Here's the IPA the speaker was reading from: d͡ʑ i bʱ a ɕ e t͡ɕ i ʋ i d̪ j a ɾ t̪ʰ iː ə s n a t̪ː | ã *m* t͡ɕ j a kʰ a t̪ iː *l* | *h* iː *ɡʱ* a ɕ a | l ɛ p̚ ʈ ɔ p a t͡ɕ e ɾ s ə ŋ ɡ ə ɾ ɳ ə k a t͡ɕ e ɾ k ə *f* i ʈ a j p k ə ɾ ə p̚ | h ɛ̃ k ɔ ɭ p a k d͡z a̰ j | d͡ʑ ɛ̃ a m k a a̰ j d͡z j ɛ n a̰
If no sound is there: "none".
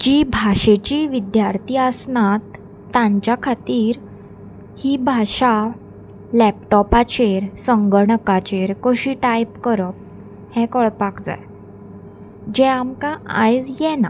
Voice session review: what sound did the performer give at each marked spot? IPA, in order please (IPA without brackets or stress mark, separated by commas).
ɲ, ɾ, h, bʱ, ɕ